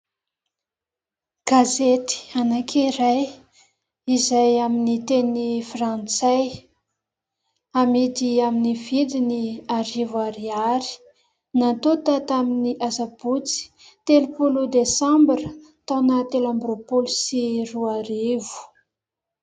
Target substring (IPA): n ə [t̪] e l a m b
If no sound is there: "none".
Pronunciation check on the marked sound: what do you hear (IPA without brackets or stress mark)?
t̪